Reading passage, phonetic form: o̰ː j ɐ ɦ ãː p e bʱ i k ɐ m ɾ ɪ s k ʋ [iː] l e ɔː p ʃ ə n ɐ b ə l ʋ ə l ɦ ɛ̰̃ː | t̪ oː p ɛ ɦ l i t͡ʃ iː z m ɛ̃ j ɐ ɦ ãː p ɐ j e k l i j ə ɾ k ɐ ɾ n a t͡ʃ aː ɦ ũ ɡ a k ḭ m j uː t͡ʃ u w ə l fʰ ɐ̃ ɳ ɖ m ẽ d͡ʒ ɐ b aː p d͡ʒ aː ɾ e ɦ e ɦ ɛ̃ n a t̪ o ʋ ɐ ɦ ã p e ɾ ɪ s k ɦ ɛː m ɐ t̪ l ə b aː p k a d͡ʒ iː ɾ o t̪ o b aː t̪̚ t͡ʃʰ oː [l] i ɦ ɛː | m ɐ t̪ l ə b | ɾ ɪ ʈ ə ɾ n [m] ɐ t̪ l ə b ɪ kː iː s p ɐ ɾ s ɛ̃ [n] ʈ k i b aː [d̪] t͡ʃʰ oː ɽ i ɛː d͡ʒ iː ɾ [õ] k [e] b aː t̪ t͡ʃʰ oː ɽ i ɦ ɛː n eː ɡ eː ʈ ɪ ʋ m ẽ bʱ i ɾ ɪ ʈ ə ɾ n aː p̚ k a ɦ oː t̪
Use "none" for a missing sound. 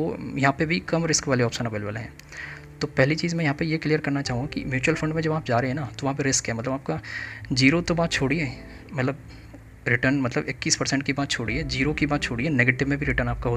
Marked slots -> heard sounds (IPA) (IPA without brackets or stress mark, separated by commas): aː, ɽ, m, ɳ, t̪, o, i